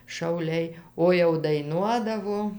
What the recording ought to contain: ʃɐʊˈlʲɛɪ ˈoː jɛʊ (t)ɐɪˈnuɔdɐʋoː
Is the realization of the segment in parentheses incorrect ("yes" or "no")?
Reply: yes